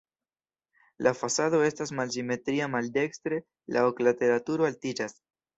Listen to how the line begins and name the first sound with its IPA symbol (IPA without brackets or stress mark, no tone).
l